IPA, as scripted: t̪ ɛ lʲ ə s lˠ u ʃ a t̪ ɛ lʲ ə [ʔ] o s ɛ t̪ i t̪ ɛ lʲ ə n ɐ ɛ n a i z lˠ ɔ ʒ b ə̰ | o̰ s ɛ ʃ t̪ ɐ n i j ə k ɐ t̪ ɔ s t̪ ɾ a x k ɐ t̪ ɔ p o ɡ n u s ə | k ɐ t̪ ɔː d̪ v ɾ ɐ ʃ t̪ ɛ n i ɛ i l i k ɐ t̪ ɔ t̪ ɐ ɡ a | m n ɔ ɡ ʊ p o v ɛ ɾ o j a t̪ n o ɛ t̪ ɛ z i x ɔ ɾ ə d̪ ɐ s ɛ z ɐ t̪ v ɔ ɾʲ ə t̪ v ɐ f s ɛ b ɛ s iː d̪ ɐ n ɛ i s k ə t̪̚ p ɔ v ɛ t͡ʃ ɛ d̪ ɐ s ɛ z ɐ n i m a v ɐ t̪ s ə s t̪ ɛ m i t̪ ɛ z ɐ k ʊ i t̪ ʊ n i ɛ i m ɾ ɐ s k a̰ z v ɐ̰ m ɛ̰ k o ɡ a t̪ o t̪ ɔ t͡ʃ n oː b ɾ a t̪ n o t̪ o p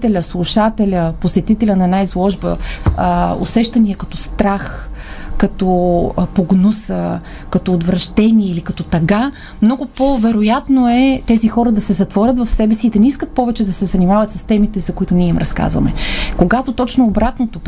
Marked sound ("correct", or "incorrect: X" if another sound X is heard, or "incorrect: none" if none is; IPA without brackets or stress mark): incorrect: p